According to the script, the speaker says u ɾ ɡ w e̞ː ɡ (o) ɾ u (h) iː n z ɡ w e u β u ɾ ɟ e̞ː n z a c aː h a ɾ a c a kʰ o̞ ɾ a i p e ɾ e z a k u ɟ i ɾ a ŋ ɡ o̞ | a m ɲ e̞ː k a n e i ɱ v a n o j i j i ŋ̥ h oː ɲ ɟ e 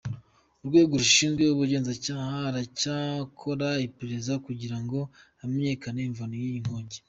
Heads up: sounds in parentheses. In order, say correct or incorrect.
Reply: correct, incorrect: ʃ

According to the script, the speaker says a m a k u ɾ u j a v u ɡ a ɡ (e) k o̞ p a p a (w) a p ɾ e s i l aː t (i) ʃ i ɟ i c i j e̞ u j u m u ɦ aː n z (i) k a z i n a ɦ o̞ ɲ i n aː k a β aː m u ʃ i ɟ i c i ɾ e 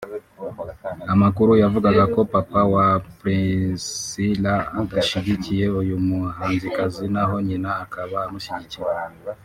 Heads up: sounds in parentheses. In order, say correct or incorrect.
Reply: incorrect: a, correct, incorrect: a, correct

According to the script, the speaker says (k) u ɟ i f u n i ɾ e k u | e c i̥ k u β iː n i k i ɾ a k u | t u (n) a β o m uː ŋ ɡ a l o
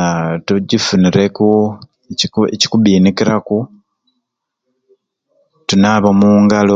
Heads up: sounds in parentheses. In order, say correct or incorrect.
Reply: incorrect: t, correct

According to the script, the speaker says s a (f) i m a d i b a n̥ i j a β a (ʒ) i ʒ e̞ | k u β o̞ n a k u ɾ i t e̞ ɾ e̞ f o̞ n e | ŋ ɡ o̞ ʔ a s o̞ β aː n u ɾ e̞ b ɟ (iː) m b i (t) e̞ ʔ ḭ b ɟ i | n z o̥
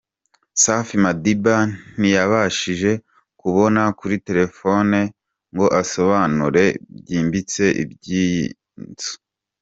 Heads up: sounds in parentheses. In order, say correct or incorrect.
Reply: correct, incorrect: ʃ, correct, incorrect: t͡s

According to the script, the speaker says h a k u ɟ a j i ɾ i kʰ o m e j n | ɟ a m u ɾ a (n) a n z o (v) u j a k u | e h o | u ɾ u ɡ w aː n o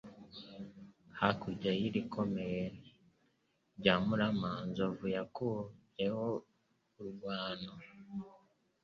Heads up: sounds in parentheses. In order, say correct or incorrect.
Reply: incorrect: m, correct

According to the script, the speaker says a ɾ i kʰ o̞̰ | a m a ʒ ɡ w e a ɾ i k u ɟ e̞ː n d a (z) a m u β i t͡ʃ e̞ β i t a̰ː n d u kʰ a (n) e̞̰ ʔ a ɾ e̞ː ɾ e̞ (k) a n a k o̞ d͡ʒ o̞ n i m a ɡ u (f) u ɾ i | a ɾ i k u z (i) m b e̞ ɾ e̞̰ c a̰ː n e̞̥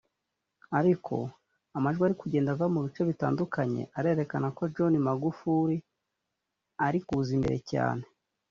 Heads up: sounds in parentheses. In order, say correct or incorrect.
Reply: incorrect: v, incorrect: ɲ, correct, correct, correct

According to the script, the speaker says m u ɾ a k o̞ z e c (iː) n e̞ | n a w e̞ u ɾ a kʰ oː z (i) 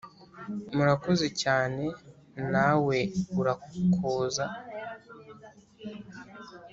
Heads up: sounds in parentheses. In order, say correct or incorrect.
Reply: incorrect: aː, incorrect: a

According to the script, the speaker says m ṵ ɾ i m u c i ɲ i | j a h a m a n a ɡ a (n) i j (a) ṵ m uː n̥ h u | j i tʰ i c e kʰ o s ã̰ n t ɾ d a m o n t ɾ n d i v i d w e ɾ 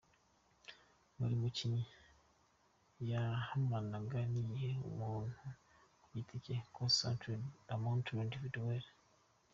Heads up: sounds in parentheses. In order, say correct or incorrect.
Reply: correct, incorrect: e

